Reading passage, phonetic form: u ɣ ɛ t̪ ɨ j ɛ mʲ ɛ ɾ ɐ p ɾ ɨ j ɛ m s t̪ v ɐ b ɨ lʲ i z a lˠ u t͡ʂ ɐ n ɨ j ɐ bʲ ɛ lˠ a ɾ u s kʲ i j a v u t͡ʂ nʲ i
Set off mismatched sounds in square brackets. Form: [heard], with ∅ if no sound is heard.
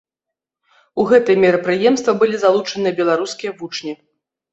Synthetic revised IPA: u ɣ ɛ t̪ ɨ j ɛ mʲ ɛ ɾ ɐ p ɾ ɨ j ɛ m s t̪ v ɐ b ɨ lʲ i z a lˠ u t͡ʂ ɐ n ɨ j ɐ bʲ ɛ lˠ a ɾ u s kʲ i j [ɐ] v u t͡ʂ nʲ i